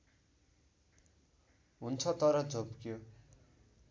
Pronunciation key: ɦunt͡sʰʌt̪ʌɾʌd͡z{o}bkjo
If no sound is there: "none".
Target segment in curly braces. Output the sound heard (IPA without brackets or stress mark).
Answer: o